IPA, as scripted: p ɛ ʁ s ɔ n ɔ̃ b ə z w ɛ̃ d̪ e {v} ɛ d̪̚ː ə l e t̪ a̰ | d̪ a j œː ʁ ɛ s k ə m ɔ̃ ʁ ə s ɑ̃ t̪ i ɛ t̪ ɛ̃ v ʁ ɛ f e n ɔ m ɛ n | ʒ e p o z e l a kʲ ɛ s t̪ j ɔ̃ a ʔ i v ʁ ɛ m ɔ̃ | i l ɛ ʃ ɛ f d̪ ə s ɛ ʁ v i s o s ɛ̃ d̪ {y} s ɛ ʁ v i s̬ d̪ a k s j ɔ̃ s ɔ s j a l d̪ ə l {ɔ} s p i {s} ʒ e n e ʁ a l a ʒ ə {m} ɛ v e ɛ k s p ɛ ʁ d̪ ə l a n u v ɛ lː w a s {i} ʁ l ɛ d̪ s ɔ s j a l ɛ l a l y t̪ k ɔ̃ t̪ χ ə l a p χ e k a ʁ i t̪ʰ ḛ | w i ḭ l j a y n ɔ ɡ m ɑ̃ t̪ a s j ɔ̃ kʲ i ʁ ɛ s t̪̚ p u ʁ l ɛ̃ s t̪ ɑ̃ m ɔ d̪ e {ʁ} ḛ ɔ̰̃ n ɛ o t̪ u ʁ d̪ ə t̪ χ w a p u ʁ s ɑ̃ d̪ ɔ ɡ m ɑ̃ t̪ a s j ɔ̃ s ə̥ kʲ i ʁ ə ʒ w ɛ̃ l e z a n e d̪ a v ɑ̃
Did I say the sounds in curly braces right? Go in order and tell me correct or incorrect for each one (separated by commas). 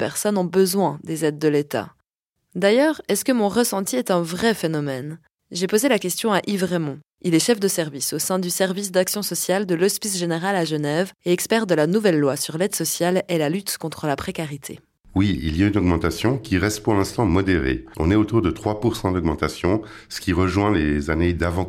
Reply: incorrect, correct, correct, correct, incorrect, incorrect, correct